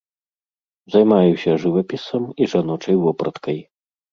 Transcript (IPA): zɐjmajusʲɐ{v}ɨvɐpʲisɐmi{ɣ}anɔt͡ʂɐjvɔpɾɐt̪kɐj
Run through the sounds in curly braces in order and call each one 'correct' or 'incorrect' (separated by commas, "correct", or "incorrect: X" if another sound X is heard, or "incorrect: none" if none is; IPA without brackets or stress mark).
incorrect: ʐ, incorrect: ʐ